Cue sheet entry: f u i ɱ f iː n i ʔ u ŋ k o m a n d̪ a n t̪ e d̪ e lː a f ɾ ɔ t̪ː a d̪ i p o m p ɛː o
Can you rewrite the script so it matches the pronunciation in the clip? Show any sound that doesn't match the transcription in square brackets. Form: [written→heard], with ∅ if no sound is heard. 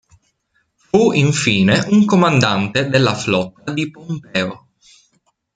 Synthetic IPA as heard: f u i ɱ f iː n [i→e] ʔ u ŋ k o m a n d̪ a n t̪ e d̪ e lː a f [ɾ→l] ɔ t̪ː a d̪ i p o m p ɛː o